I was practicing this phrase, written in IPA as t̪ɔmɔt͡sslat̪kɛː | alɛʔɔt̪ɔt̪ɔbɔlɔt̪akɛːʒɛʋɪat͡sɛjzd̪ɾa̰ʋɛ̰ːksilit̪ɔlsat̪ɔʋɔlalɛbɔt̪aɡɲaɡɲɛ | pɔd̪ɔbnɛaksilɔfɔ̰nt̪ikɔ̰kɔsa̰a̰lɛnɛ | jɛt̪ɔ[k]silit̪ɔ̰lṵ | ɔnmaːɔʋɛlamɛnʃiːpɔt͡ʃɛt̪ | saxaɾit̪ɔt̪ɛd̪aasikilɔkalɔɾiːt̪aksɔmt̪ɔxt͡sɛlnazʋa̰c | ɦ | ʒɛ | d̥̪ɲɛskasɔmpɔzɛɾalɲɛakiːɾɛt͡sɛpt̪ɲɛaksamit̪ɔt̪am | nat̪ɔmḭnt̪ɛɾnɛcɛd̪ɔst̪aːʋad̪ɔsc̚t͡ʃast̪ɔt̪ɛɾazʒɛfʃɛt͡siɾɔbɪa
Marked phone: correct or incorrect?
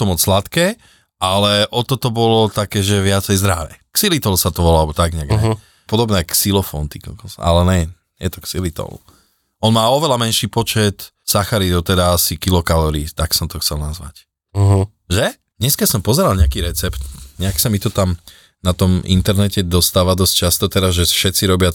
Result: correct